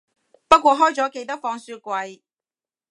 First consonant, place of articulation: labial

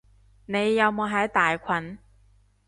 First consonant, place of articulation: alveolar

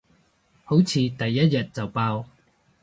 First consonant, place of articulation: glottal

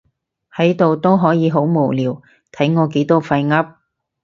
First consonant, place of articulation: glottal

